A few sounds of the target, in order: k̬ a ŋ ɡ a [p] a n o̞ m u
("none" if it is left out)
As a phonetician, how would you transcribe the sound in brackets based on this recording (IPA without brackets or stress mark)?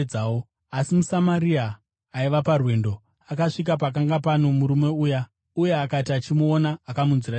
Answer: p